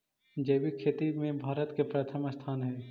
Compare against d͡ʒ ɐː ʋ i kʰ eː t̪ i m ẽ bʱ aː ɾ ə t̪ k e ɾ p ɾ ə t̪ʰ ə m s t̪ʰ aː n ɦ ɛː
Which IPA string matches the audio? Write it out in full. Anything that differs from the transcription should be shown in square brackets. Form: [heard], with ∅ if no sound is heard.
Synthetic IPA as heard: d͡ʒ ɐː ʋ i kʰ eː t̪ i m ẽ bʱ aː ɾ ə t̪ k e [∅] p ɾ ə t̪ʰ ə m s t̪ʰ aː n ɦ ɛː